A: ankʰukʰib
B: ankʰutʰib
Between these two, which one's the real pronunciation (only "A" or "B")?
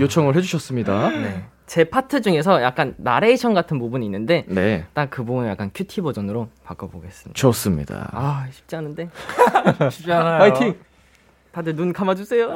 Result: B